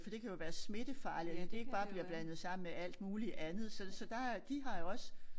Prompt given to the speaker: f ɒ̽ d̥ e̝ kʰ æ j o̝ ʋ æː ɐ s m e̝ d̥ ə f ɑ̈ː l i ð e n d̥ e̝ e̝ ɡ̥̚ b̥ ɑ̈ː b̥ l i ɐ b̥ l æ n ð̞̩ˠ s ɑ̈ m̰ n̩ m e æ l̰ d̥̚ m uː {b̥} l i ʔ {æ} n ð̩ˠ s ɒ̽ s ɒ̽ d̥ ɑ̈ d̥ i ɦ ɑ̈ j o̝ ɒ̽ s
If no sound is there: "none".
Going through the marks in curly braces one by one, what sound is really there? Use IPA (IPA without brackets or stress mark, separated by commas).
none, æ